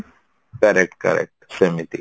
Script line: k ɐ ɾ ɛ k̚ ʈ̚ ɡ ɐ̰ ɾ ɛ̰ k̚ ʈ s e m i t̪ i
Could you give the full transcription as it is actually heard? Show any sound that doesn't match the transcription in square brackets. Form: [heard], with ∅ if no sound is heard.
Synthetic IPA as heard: k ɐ ɾ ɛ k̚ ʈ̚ [k] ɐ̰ ɾ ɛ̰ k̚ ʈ s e m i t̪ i